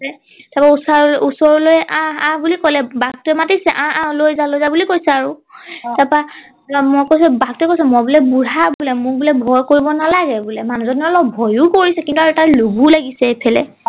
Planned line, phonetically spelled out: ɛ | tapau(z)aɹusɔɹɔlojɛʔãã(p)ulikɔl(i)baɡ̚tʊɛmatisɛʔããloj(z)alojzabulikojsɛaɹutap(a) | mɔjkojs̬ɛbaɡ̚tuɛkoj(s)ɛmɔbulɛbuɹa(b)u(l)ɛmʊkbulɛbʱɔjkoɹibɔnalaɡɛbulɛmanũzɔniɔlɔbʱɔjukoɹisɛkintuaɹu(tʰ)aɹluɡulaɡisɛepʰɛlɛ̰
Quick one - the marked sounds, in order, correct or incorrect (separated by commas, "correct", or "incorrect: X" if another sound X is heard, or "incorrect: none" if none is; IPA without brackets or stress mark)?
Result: incorrect: s, incorrect: b, incorrect: ɛ, correct, correct, correct, correct, correct, incorrect: t